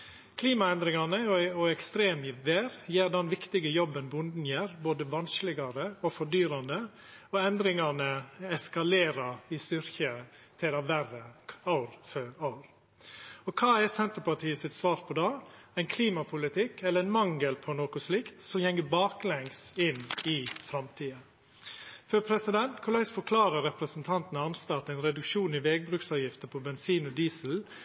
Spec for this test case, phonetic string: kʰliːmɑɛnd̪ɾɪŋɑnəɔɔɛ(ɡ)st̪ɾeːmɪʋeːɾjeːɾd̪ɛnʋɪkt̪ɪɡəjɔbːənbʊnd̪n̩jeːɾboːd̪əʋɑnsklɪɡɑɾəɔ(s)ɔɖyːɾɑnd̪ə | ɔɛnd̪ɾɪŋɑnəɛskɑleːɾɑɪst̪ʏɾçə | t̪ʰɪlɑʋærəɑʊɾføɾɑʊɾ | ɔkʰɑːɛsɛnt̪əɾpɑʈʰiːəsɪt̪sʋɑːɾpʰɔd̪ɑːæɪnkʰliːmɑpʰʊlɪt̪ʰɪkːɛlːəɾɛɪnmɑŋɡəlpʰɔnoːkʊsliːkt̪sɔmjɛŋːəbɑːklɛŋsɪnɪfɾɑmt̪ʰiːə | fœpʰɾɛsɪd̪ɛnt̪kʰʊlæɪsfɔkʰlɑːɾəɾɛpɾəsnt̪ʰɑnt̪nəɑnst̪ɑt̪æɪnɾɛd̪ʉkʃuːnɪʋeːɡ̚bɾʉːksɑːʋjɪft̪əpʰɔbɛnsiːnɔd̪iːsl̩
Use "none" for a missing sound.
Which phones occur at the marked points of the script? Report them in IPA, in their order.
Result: k, f

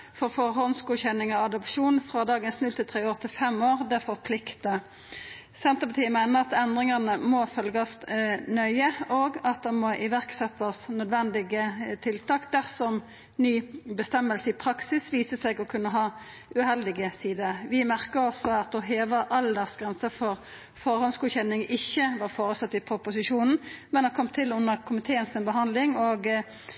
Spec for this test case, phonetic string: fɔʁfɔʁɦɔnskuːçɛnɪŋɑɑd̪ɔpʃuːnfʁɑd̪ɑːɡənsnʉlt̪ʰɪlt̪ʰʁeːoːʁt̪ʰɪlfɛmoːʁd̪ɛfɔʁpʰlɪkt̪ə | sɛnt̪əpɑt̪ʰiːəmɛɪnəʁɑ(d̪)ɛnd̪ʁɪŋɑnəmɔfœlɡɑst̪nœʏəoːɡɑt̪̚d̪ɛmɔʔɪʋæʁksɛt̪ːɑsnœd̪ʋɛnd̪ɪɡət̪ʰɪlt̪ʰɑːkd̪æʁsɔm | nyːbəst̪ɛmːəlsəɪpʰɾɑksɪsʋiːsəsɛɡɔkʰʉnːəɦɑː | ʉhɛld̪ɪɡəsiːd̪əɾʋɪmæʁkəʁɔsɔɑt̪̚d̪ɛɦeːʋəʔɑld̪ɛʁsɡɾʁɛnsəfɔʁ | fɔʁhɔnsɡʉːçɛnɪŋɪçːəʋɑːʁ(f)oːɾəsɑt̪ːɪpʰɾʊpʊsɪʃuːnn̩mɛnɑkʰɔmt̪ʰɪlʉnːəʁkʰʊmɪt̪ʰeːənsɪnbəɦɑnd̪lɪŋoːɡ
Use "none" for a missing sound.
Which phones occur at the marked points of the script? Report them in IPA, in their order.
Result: t̪, f

